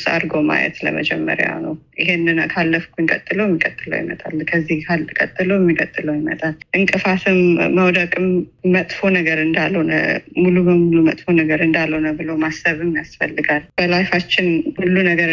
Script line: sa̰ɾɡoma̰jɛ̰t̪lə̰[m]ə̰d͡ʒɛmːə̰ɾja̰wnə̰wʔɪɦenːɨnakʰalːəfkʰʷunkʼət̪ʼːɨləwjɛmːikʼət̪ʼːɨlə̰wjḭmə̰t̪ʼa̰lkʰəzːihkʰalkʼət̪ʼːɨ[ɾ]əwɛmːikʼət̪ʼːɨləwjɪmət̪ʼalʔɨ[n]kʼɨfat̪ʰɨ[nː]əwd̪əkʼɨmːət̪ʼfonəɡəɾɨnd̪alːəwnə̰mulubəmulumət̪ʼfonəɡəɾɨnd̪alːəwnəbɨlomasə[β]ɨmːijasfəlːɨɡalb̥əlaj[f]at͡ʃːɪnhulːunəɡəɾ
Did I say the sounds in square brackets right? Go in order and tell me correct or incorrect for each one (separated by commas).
correct, incorrect, incorrect, incorrect, correct, correct